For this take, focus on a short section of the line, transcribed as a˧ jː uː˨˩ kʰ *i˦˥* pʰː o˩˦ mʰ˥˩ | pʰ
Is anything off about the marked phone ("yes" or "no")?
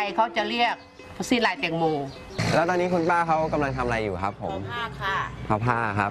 yes